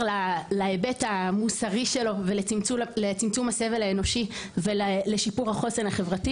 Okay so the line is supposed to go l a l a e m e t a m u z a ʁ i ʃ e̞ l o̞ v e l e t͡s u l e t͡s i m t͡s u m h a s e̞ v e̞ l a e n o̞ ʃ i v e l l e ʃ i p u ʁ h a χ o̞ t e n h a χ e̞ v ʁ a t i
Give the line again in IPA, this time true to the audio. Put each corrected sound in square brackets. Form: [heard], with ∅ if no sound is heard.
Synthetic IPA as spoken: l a l a e [b] e t a m u [s] a ʁ i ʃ e̞ l o̞ v e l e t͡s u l e t͡s i m t͡s u m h a s e̞ v e̞ l a e n o̞ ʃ i v e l l e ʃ i p u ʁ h a χ o̞ [s] e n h a χ e̞ v ʁ a t i

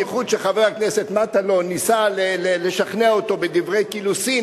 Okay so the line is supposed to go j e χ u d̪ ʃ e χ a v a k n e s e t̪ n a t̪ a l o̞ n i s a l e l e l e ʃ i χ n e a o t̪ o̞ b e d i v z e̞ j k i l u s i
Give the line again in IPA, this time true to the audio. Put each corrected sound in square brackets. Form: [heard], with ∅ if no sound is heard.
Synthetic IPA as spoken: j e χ u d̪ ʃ e χ a v a k n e s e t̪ [m] a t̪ a l o̞ n i s a l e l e l e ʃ [a] χ n e a o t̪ o̞ b e d i v [ʁ] e̞ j k i l u s i

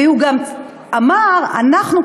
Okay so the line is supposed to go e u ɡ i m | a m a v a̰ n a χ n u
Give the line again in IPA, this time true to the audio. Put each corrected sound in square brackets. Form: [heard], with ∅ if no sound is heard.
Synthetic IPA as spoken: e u ɡ [a] m | a m a [ʁ] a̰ n a χ n u

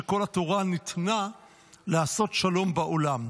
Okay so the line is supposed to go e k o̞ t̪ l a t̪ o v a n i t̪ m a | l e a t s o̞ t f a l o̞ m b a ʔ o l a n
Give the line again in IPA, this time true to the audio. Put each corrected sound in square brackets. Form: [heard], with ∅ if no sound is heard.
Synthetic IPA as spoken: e k o̞ [∅] l a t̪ o [ʁ] a n i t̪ [n] a | l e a [∅] s o̞ t [ʃ] a l o̞ m b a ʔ o l a [m]

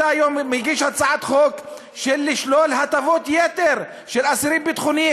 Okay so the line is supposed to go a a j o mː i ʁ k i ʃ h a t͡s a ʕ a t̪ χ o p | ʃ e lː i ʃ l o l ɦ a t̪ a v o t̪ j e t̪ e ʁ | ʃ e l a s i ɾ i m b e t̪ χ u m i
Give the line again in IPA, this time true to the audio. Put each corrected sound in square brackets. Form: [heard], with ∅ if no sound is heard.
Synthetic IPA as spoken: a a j o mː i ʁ [ɡ] i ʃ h a t͡s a ʕ a t̪ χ o [k] | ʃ e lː i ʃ l o l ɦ a t̪ a v o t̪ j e t̪ e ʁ | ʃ e l a s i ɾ i m b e t̪ χ u [n] i

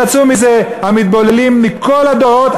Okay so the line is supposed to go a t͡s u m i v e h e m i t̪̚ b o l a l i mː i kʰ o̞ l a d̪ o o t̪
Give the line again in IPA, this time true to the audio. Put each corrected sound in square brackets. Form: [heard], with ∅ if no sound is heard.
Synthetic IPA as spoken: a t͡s u m i [z] e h [a] m i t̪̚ b o l [e] l i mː i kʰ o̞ l a d̪ o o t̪

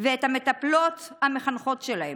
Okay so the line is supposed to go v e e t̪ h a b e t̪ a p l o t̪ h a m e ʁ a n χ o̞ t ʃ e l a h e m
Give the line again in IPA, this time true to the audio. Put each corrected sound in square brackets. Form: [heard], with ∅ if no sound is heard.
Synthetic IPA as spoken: v e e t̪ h a [m] e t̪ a p l o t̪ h a m e [χ] a n χ o̞ t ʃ e l a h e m

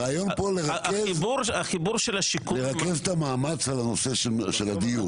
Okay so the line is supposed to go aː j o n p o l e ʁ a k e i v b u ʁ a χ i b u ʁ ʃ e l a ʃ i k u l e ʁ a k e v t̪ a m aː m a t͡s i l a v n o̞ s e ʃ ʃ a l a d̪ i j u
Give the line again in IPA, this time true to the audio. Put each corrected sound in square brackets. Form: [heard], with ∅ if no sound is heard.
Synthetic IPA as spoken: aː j o n p o l e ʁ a k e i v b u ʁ a χ i b u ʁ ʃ e l a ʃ i k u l e ʁ a k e v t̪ a m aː m a t͡s [a] l a [∅] n o̞ s e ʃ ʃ [e] l a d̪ i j u

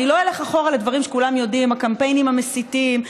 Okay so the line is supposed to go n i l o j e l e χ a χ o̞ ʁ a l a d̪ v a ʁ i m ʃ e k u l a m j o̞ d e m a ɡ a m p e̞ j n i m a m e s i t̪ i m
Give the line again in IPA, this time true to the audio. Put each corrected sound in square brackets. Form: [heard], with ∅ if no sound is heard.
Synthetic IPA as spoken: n i l o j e l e χ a χ o̞ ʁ a l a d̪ v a ʁ i m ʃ e k u l a m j o̞ d [i] m a [k] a m p e̞ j n i m a m e s i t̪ i m

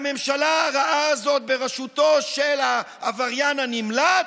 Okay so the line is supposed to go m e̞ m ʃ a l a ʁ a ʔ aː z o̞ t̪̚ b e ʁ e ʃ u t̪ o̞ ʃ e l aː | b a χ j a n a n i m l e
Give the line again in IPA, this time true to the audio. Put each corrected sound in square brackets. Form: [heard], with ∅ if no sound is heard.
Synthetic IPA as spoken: m e̞ m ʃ a l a ʁ a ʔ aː z o̞ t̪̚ b e ʁ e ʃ u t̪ o̞ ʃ e l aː | [v] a [ʁ] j a n a n i m l [a]

